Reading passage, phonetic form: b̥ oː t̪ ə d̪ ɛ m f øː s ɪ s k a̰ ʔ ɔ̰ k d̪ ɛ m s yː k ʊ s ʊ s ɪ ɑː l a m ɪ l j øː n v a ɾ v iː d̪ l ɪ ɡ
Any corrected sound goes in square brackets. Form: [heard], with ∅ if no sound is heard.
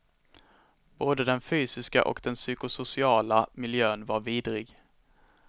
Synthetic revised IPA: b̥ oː [d̪] ə d̪ ɛ [n] f [yː] s ɪ s k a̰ ʔ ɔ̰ k d̪ ɛ [n] s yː k ʊ s ʊ s ɪ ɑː l a m ɪ l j øː n v a ɾ v iː d̪ [ɾ] ɪ ɡ